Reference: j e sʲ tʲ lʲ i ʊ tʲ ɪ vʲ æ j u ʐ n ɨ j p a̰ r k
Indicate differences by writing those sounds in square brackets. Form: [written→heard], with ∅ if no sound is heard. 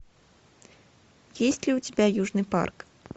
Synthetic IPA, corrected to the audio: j e sʲ tʲ lʲ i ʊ tʲ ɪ [vʲ→bʲ] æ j u ʐ n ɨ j p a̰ r k